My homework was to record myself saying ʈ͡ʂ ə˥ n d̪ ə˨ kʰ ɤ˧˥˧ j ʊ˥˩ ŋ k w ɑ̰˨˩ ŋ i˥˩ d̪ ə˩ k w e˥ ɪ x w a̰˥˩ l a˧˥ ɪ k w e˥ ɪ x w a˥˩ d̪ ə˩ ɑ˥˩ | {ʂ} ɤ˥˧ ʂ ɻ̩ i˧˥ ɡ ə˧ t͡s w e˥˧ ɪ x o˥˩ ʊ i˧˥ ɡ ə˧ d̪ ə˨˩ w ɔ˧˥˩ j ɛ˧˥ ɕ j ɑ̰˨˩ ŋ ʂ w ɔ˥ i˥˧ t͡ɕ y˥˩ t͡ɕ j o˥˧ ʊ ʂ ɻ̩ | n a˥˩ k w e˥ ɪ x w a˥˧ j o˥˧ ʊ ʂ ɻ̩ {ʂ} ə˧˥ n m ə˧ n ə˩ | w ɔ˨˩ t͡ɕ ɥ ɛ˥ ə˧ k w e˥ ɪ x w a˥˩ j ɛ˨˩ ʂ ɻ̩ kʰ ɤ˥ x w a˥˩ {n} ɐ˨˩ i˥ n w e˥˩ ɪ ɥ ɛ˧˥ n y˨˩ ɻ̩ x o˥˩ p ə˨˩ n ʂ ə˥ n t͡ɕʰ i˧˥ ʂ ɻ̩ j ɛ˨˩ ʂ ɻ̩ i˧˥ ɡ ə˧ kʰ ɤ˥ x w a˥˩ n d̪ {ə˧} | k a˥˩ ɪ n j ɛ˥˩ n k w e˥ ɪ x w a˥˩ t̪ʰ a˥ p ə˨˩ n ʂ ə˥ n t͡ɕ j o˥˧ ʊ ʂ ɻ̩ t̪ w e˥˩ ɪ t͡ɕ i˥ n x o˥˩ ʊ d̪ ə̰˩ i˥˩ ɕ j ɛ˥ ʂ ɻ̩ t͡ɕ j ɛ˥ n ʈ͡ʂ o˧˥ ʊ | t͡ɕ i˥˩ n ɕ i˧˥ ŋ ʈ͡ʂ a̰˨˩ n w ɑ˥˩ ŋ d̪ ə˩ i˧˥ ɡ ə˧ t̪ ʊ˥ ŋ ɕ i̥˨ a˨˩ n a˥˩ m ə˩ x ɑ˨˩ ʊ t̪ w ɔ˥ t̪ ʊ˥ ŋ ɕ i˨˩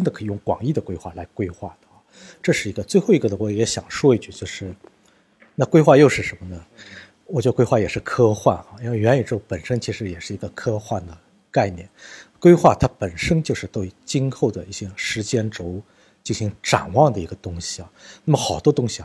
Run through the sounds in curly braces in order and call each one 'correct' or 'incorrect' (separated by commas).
incorrect, correct, correct, incorrect